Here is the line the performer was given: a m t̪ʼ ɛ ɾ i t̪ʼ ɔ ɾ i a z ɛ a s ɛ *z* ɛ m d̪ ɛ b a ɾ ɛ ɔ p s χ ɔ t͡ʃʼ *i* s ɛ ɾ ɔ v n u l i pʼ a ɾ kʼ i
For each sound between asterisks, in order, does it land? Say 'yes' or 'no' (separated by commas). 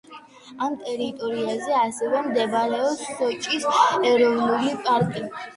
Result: no, yes